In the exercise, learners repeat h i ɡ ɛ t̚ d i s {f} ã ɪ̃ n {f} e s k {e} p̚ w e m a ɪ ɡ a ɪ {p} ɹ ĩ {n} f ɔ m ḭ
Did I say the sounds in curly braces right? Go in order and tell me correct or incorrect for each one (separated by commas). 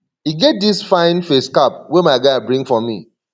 correct, correct, incorrect, incorrect, incorrect